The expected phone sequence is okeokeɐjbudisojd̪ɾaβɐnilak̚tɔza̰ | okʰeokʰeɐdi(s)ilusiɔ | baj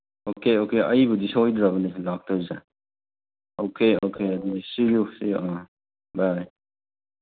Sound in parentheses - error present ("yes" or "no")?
no